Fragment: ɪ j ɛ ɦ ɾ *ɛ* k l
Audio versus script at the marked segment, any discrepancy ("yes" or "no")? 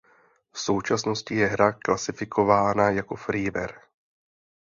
yes